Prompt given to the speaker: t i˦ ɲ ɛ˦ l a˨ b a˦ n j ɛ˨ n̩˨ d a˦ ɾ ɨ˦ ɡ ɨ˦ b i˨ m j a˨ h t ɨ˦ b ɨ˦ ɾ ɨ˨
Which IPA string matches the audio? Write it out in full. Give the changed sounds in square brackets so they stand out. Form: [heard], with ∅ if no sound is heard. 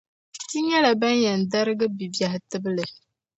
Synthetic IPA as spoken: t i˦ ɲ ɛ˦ l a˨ b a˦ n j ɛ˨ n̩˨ d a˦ ɾ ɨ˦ ɡ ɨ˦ b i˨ [b] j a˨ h t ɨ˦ b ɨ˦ [l] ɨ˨

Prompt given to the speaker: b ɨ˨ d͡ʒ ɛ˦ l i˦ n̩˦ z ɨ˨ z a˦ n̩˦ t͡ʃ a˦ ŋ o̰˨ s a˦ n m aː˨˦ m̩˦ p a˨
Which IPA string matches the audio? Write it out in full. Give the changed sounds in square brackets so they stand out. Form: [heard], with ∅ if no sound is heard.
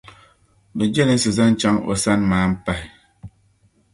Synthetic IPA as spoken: b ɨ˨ d͡ʒ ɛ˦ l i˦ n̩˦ [s] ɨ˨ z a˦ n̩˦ t͡ʃ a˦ ŋ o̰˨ s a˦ n m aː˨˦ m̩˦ p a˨

